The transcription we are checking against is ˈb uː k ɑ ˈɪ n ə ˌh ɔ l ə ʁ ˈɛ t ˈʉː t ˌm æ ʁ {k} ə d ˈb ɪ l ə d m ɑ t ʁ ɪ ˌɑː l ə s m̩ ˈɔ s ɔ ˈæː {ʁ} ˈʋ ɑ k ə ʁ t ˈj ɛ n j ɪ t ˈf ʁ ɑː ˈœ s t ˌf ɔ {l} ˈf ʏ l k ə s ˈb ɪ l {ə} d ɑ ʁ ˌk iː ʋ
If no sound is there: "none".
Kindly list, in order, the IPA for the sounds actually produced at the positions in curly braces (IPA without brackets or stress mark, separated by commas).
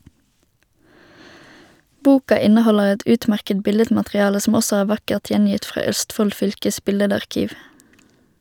k, ʁ, l, ə